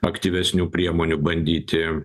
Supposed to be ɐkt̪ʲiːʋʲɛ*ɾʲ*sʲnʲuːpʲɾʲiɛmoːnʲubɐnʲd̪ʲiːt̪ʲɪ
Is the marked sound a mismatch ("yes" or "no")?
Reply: yes